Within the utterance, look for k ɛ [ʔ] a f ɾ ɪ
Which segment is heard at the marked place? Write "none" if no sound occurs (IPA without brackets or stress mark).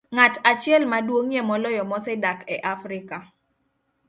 ʔ